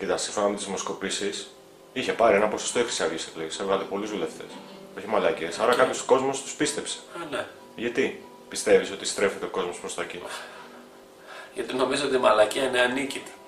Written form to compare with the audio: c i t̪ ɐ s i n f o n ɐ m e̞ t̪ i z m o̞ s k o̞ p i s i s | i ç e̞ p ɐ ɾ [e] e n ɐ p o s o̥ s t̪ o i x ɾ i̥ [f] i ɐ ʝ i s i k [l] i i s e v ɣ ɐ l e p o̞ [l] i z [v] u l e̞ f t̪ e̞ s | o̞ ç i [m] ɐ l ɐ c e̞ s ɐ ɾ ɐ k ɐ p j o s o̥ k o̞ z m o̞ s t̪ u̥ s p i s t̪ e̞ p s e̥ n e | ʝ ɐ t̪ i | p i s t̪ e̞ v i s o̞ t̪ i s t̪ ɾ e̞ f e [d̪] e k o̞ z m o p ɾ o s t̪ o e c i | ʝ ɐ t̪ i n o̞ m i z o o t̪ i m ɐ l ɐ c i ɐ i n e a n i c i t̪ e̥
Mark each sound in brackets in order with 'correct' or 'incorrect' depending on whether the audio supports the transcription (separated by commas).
incorrect, incorrect, correct, correct, incorrect, correct, incorrect